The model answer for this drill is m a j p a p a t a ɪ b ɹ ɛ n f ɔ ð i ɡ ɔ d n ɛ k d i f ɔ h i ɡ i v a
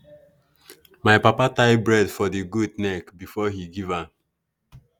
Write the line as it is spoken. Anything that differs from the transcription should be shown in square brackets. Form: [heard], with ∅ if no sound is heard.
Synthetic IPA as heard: m a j p a p a t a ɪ b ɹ ɛ [d] f ɔ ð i ɡ [u] d n ɛ k [b] i f ɔ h i ɡ i v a